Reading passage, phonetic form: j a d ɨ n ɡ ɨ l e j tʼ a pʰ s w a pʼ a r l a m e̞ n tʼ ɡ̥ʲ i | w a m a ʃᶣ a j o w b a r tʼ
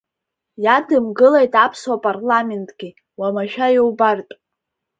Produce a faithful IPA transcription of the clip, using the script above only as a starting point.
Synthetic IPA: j a d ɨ m ɡ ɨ l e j tʼ a pʰ s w a pʼ a r l a m e̞ n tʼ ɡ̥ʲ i | w a m a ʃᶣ a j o w b a r tʼ